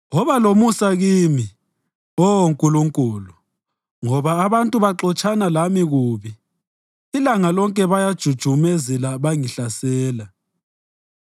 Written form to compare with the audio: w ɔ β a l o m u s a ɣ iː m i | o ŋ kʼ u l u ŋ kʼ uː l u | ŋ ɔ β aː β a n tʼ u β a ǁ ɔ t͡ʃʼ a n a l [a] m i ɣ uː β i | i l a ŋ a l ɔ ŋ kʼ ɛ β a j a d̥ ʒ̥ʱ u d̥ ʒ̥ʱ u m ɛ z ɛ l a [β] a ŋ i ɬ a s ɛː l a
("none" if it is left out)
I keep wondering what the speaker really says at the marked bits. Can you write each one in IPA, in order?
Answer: a, β

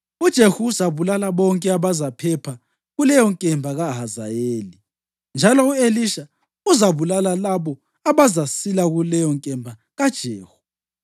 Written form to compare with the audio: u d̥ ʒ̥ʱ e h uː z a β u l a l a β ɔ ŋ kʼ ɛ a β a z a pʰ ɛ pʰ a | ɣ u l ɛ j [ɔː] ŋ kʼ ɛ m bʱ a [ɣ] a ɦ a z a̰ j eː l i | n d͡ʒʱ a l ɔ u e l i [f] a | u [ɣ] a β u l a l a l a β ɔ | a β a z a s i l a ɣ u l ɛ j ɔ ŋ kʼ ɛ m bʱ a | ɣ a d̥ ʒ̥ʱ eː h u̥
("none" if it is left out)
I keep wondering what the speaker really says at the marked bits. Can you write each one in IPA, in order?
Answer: ɔ, ɣ, ʃ, z

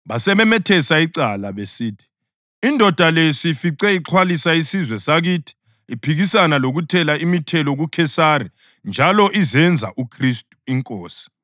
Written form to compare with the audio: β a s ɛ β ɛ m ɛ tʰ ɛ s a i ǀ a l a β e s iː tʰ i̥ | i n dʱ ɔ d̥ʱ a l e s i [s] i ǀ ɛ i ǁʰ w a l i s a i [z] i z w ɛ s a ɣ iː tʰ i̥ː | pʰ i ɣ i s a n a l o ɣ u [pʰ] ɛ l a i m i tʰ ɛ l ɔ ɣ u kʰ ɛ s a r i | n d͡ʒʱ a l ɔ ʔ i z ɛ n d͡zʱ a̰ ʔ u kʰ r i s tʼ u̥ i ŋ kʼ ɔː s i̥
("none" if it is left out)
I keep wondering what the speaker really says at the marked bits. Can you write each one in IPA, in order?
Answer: f, s, tʰ

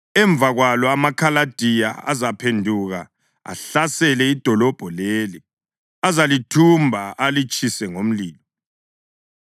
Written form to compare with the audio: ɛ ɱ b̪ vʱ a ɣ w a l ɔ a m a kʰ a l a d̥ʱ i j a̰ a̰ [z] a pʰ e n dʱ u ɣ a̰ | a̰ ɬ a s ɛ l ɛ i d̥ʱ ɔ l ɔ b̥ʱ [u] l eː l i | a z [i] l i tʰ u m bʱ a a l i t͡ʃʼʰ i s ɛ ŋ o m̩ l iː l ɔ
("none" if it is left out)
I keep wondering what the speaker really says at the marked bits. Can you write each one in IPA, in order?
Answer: z, ɔ, a

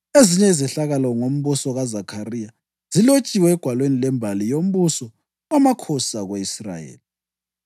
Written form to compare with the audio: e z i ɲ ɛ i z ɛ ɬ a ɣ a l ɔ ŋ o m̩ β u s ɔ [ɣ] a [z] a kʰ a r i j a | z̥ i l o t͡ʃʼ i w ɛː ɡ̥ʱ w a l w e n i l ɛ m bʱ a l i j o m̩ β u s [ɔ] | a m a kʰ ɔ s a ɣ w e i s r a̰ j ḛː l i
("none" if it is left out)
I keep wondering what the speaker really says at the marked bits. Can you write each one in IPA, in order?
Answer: ɣ, z, ɔ

